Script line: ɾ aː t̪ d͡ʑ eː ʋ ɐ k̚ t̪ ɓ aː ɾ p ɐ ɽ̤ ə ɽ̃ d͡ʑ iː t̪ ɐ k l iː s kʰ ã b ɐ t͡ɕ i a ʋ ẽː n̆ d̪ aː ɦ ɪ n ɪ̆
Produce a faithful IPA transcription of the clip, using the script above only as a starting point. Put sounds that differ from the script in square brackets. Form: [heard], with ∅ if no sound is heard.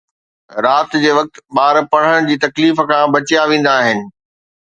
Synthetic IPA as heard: ɾ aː t̪ d͡ʑ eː ʋ ɐ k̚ t̪ ɓ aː ɾ p ɐ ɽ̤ ə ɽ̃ d͡ʑ iː t̪ ɐ k l iː [f] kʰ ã b ɐ t͡ɕ [j] a ʋ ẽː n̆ d̪ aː ɦ ɪ n ɪ̆